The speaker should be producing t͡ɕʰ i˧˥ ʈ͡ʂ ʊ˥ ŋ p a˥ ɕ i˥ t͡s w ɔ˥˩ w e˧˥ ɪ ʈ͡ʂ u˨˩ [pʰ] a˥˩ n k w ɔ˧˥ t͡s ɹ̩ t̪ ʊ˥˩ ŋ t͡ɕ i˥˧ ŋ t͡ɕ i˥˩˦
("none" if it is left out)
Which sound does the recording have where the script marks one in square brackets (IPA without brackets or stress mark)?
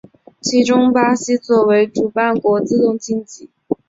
p